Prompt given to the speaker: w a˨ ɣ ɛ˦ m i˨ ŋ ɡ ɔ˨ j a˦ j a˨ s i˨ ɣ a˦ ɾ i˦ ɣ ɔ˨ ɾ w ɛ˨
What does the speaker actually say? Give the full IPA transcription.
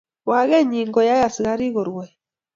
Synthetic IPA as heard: w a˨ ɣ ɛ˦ ɲ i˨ ŋ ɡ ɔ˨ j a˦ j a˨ s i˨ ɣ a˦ ɾ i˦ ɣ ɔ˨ ɾ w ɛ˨